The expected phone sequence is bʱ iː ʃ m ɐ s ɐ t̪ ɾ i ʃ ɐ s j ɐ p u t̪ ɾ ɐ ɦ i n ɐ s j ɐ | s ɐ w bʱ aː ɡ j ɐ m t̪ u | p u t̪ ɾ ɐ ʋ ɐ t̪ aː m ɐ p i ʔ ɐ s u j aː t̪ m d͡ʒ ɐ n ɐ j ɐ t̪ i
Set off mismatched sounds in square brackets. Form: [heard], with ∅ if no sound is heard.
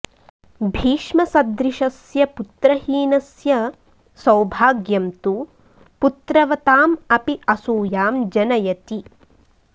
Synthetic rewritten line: bʱ iː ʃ m ɐ s ɐ [d̪] ɾ i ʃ ɐ s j ɐ p u t̪ ɾ ɐ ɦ [iː] n ɐ s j ɐ | s ɐ w bʱ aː ɡ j ɐ m t̪ u | p u t̪ ɾ ɐ ʋ ɐ t̪ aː m ɐ p i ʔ ɐ s [uː] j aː [∅] m d͡ʒ ɐ n ɐ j ɐ t̪ i